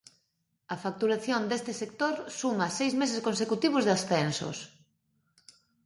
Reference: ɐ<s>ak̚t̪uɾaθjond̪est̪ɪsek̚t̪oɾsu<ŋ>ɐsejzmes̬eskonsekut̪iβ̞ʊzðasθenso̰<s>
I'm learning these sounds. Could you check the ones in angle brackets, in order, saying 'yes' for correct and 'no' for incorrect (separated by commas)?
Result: no, no, yes